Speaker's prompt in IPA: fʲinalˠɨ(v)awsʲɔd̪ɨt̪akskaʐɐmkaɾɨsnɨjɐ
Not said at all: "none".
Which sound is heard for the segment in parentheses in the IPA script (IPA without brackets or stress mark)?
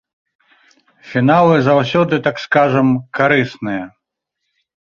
z